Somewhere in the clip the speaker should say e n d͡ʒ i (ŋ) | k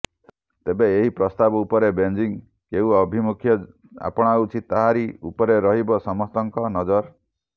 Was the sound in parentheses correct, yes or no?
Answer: yes